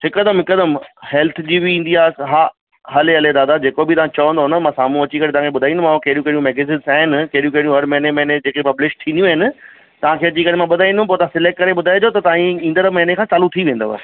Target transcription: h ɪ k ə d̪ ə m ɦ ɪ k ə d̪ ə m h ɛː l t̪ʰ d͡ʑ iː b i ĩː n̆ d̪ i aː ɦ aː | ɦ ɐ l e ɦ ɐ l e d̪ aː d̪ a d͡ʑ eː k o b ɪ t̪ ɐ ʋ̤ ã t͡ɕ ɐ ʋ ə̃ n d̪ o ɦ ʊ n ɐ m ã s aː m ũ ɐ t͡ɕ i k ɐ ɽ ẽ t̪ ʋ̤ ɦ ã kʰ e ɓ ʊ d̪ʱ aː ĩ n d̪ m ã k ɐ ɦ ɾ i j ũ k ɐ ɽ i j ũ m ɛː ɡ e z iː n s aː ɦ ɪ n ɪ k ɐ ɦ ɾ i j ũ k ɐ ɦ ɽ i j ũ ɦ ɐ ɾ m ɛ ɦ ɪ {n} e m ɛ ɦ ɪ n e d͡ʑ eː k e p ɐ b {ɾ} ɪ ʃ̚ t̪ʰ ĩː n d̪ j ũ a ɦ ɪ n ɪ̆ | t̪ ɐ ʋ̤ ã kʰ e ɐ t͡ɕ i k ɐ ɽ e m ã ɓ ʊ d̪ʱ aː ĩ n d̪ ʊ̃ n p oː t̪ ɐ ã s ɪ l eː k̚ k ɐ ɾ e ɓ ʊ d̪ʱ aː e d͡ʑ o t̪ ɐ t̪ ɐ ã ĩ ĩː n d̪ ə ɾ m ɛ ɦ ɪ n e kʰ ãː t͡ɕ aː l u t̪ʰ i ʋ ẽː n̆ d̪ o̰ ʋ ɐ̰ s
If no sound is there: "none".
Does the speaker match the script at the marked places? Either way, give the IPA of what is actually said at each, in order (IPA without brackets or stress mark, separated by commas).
n, l